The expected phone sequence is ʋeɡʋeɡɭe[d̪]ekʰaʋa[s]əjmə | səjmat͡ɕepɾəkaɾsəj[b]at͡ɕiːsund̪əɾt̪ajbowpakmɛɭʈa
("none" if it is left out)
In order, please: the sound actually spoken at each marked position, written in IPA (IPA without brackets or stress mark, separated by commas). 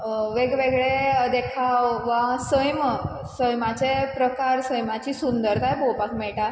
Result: d̪, s, m